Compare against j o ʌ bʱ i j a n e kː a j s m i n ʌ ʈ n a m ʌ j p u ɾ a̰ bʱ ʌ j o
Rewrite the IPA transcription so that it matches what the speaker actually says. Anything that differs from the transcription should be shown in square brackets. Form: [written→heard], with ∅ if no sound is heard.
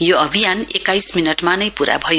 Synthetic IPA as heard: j o ʌ bʱ i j a n e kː a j s m i n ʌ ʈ [n→m] a [m→n] ʌ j p u ɾ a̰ bʱ ʌ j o

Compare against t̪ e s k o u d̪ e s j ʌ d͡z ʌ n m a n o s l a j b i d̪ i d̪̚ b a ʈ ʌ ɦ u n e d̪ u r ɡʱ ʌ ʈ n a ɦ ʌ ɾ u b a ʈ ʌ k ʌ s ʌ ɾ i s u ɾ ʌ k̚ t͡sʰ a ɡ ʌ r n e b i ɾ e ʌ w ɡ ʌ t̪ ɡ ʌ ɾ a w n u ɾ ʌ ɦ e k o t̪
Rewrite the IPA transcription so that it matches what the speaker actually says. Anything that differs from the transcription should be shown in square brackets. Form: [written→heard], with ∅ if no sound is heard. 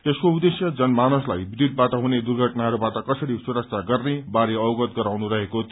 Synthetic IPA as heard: t̪ e s k o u d̪ e s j ʌ d͡z ʌ n m a n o s l a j b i d̪ i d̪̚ b a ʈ ʌ ɦ u n e d̪ u r ɡʱ ʌ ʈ n a ɦ ʌ ɾ u b a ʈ ʌ k ʌ s ʌ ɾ i s u ɾ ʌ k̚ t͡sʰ a ɡ ʌ r n e b [i→a] ɾ e ʌ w ɡ ʌ t̪ ɡ ʌ ɾ a w n u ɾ ʌ ɦ e k o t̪

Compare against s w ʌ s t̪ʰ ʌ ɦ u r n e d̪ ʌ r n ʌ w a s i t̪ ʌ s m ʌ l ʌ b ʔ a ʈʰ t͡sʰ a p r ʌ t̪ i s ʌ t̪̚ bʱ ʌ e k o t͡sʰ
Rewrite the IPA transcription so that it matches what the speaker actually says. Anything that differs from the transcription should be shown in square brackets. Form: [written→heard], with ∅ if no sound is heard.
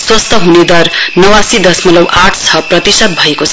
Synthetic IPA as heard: s w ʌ s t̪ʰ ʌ ɦ u [r→∅] n e d̪ ʌ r n ʌ w a s i [t̪→d̪] ʌ s m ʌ l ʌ [b→w] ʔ a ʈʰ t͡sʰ [a→ʌ] p r ʌ t̪ i s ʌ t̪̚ bʱ ʌ e k o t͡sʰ

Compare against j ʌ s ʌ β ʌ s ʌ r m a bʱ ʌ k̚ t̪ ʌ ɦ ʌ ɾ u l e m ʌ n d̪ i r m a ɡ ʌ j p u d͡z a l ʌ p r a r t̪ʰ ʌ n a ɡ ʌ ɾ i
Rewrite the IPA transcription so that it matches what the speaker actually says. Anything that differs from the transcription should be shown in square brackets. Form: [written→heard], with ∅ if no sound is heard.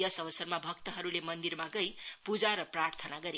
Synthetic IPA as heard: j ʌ s ʌ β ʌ s ʌ r m a bʱ ʌ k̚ t̪ ʌ ɦ ʌ ɾ u l e m ʌ n d̪ i r m a ɡ ʌ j p u d͡z a [l→ɾ] ʌ p r a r t̪ʰ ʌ n a ɡ ʌ ɾ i

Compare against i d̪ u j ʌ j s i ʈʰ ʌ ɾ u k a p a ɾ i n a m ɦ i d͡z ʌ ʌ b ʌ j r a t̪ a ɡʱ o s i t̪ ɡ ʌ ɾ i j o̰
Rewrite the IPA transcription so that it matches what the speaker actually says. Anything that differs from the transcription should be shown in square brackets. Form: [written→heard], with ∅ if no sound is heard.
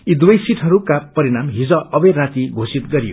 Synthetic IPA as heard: i d̪ u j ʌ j s i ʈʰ ʌ ɾ u k a p [a→ʌ] ɾ i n a m ɦ i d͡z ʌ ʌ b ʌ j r a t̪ [a→i] ɡʱ o s i t̪ ɡ ʌ ɾ i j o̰

